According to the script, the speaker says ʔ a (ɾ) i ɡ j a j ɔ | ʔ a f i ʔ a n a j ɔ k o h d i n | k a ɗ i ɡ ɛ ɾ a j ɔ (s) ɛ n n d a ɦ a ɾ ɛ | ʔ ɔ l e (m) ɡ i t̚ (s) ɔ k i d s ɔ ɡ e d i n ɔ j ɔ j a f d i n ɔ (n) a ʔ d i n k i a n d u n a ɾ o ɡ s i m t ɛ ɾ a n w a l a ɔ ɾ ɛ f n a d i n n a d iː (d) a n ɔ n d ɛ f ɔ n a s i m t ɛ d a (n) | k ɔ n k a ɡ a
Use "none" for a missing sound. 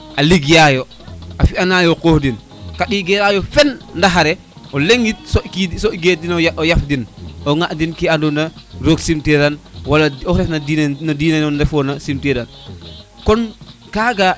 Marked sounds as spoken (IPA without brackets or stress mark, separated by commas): l, f, ŋ, s, ŋ, n, n